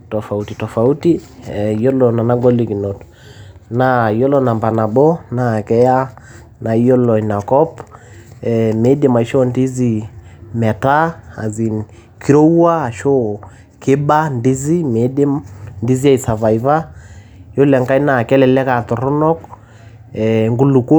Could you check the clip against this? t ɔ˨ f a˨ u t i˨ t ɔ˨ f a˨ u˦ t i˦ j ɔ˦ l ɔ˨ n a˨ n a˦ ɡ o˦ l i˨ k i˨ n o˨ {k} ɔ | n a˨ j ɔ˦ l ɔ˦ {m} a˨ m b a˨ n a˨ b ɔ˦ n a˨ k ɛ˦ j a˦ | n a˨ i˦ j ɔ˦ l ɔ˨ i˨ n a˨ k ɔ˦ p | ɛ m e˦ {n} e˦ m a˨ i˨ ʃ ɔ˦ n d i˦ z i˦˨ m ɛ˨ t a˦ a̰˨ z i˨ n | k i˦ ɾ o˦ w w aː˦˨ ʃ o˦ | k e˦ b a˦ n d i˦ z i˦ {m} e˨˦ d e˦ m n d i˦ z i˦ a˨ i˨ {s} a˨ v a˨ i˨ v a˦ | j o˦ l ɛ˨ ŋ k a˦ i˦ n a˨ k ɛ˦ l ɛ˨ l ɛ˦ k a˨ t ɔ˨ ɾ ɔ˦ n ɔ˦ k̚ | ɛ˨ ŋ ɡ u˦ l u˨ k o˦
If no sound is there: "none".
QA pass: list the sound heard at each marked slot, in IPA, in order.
t, n, d, m, s

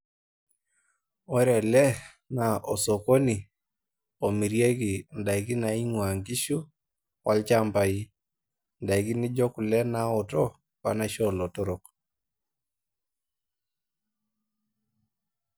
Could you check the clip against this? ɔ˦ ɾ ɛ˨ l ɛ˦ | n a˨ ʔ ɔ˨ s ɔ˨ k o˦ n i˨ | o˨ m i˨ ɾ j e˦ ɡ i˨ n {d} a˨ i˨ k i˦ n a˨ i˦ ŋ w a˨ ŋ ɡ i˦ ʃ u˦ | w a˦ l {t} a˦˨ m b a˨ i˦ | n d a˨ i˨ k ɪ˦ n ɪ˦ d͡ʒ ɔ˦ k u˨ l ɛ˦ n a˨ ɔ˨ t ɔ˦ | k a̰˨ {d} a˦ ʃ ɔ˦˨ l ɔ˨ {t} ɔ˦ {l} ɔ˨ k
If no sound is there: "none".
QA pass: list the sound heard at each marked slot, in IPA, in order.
d, t͡ʃ, n, t, ɾ

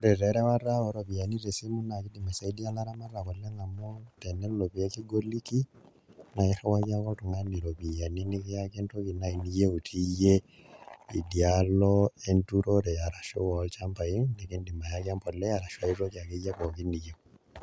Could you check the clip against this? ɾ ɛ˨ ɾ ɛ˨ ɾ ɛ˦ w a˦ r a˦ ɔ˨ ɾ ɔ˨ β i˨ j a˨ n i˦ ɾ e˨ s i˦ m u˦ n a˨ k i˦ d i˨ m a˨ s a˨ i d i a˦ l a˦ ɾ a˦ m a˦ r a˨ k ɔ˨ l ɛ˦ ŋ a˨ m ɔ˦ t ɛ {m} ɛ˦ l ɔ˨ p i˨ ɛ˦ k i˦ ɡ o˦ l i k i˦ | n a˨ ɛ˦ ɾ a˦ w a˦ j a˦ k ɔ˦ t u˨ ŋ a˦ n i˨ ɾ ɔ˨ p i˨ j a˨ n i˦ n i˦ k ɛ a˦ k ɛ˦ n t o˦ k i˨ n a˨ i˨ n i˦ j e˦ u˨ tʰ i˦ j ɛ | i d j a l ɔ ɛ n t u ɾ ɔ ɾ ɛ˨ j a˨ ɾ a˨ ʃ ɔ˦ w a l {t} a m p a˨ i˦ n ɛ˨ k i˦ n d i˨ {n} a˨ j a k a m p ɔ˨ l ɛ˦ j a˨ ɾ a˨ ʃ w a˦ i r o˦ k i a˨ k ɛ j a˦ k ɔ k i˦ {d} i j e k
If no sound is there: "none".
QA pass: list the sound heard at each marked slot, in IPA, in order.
n, t͡ʃ, m, n

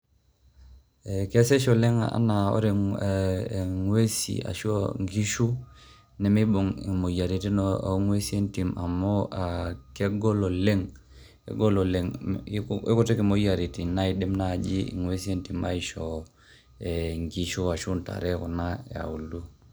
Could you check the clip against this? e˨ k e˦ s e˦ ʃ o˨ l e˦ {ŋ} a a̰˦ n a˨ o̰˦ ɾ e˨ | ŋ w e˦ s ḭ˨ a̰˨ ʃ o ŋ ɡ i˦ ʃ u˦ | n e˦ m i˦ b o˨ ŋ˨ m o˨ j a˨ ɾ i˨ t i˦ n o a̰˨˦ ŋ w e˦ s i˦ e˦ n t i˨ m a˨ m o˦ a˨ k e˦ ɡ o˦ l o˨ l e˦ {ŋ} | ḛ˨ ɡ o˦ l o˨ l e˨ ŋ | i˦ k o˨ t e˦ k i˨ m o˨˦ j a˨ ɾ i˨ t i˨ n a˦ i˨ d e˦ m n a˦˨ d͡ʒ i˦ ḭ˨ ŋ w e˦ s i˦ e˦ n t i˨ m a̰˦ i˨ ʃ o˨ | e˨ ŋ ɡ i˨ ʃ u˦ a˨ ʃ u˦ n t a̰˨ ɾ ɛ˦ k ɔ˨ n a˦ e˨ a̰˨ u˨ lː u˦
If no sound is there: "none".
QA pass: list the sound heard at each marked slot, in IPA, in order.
ŋ, ŋ

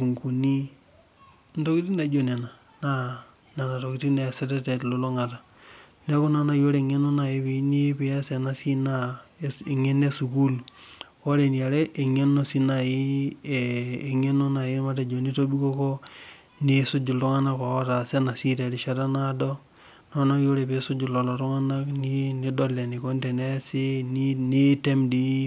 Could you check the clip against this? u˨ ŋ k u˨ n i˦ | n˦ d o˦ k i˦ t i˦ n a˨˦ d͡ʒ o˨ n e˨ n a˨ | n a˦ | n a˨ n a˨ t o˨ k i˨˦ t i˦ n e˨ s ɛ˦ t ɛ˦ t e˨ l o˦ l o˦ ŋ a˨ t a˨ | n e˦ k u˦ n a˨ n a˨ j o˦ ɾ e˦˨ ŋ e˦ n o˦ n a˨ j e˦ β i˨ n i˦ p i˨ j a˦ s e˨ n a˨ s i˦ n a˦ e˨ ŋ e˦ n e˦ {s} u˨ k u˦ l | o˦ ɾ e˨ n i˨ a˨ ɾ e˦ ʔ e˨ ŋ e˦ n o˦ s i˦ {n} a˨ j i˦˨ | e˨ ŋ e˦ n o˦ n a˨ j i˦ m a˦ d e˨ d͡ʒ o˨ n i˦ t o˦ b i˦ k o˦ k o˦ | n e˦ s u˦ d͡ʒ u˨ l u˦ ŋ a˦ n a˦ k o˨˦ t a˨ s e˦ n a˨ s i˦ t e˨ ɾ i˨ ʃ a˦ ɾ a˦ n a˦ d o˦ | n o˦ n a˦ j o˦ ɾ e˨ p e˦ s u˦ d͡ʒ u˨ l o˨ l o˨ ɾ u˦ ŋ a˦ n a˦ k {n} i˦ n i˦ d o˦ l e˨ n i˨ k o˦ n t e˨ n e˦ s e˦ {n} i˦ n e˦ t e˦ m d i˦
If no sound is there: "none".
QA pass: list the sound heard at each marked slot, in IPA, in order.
s, n, n, n

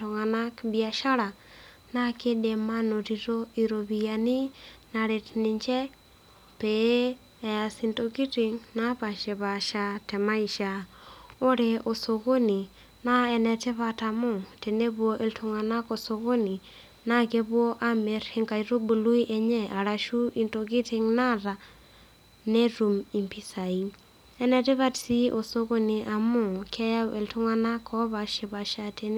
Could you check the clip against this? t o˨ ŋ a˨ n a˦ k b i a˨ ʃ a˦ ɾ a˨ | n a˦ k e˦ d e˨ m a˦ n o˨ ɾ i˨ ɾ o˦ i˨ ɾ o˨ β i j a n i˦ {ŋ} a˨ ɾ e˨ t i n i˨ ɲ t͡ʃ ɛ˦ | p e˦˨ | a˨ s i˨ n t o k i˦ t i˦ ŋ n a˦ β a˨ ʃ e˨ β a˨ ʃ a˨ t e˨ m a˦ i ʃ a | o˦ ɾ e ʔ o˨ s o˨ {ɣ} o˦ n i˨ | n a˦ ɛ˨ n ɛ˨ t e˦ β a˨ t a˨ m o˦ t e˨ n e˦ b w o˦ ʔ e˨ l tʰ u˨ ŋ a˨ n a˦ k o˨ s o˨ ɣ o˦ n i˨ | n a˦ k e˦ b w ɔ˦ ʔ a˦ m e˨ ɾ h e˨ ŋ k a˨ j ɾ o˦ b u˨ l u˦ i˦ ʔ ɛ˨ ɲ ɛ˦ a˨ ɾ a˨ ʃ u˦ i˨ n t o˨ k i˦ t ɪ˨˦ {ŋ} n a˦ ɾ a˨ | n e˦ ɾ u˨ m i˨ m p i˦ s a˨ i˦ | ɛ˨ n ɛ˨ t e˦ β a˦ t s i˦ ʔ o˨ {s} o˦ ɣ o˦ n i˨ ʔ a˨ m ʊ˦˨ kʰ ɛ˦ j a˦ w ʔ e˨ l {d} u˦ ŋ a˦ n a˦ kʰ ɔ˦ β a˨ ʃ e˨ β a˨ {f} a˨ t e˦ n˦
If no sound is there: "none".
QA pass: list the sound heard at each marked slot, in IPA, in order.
n, ɣ, ŋ, s, t, ʃ

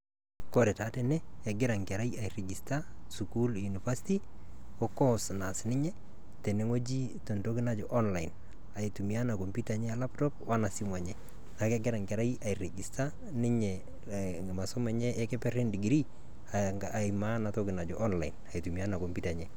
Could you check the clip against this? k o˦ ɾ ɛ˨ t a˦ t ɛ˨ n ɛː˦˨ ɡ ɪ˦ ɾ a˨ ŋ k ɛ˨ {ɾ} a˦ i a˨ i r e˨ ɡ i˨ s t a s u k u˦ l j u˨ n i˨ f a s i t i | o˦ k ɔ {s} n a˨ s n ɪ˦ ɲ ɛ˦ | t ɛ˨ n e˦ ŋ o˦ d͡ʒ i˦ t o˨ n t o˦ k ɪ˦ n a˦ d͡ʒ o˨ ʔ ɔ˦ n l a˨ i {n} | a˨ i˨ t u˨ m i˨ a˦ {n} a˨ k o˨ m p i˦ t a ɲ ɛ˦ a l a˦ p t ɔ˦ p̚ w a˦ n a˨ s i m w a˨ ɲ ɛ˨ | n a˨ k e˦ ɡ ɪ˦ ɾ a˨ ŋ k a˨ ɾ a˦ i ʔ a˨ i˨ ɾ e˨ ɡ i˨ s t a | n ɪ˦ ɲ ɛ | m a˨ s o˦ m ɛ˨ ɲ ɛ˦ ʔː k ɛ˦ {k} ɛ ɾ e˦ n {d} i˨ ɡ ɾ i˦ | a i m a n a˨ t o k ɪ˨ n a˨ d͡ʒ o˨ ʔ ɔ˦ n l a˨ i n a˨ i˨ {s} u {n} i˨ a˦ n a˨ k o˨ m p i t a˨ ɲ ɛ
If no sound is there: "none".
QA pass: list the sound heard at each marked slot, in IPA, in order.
ɾ, s, n, n, p, d, t, m

